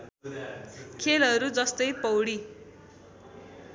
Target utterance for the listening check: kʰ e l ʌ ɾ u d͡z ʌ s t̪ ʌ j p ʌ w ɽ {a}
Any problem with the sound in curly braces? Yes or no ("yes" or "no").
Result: yes